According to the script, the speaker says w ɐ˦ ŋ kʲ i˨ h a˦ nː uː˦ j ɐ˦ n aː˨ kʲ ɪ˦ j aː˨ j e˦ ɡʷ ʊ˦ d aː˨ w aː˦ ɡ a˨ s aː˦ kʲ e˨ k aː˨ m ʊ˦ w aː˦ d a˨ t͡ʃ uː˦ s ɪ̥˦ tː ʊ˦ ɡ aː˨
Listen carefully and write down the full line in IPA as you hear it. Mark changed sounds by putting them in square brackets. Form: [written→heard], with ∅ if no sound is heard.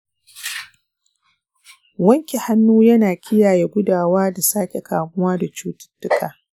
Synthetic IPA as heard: w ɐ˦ ŋ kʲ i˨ h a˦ nː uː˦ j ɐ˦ n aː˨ kʲ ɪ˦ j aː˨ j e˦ ɡʷ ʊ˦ d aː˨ w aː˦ [ɡ→d] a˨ s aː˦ kʲ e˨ k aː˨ m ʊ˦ w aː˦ d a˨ t͡ʃ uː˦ [s→t] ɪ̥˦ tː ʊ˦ [ɡ→k] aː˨